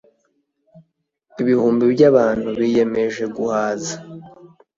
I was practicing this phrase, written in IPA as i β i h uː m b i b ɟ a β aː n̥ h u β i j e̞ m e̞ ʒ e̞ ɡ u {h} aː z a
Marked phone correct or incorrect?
correct